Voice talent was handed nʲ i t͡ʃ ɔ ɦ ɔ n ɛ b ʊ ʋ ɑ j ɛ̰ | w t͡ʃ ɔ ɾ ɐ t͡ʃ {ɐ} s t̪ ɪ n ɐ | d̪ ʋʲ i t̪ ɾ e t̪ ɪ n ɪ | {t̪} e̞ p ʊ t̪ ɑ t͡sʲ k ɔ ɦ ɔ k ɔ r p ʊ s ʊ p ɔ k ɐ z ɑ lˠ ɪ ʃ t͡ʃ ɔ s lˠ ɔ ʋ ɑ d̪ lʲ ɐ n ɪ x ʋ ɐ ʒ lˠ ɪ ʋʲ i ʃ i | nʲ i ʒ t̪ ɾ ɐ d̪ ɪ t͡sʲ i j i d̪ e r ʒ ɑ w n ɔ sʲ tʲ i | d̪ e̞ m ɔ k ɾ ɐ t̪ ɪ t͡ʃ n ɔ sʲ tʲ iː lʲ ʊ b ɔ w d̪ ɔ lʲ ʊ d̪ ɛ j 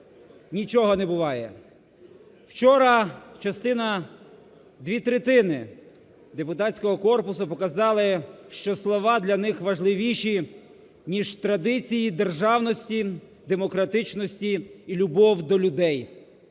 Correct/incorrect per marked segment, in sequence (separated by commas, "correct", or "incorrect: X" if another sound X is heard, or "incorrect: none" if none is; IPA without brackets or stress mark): correct, incorrect: d̪